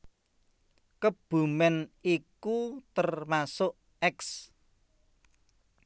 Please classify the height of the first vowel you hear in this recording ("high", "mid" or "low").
mid